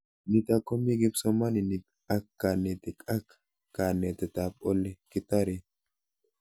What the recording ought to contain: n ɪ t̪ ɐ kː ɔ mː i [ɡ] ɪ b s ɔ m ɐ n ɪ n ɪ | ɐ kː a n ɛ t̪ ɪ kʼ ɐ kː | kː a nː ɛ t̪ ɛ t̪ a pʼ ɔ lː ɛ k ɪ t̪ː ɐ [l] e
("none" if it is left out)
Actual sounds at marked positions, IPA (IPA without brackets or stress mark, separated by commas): ɡ, ɾ